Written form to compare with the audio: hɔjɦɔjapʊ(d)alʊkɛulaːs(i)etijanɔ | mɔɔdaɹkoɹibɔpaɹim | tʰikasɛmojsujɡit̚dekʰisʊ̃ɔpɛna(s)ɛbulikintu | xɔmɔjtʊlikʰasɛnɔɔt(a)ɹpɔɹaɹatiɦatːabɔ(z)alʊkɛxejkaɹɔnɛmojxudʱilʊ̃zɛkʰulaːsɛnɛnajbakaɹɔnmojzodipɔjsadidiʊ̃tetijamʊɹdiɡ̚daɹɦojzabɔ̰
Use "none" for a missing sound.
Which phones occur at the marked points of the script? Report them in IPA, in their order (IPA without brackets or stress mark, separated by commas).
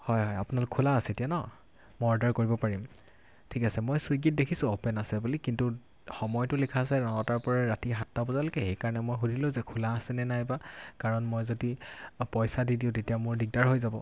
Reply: n, ɛ, s, a, z